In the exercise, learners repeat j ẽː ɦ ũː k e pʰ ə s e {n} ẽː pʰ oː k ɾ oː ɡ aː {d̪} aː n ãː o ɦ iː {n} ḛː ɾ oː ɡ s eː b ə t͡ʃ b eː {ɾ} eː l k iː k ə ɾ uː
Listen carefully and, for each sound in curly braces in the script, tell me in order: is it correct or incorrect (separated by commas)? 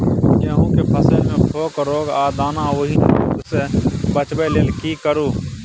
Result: incorrect, correct, correct, incorrect